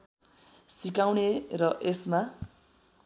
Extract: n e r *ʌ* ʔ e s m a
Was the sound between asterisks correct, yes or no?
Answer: yes